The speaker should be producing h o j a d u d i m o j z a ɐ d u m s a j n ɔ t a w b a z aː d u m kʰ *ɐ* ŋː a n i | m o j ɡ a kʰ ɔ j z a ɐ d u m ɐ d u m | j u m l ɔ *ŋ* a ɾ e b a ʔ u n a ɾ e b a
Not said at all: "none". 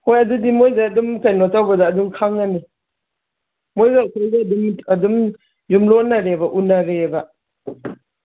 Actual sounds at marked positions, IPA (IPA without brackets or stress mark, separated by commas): a, n